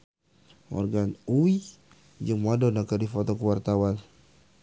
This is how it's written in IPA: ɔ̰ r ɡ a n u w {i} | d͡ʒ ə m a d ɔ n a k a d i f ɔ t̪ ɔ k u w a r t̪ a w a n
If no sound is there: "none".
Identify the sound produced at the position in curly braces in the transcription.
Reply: i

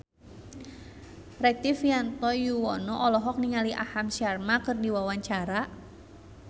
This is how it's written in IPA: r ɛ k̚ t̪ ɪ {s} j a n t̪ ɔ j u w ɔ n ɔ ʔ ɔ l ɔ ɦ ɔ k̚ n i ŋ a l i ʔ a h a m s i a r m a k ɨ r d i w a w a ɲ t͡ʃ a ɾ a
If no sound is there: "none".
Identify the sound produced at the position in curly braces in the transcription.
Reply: f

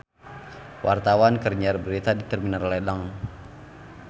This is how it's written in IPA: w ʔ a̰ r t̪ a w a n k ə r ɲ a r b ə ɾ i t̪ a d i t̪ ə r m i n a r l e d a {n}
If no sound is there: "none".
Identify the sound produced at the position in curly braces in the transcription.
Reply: ŋ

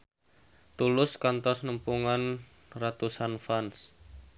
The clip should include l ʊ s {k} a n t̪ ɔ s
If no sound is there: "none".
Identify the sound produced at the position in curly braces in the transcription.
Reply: k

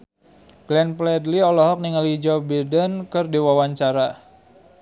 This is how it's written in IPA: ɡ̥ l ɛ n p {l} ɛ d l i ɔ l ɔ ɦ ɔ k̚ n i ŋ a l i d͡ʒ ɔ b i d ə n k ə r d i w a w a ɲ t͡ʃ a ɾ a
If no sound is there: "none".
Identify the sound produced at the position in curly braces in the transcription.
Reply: l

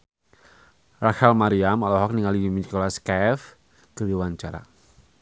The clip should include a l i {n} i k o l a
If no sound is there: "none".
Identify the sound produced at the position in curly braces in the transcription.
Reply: m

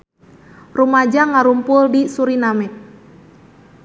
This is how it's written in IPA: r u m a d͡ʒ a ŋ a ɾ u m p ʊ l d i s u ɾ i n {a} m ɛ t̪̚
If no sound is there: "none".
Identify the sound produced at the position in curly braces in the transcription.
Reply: a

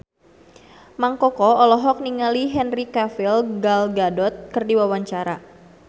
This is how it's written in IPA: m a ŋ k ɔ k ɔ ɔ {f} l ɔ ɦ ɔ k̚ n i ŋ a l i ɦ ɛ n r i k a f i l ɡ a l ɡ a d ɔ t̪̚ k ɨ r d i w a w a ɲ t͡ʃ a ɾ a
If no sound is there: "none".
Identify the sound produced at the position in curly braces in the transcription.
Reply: none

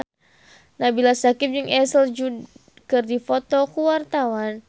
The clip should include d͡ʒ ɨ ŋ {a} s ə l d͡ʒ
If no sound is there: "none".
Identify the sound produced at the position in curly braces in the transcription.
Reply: ɛ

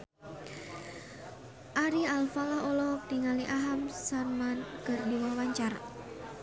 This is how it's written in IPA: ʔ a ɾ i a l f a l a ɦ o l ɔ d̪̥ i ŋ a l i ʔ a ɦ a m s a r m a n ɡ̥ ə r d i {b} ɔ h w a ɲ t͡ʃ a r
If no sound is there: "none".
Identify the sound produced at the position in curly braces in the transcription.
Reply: w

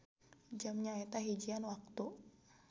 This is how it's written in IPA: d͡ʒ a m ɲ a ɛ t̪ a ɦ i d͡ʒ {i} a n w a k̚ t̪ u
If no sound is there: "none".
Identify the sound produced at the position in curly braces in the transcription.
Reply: i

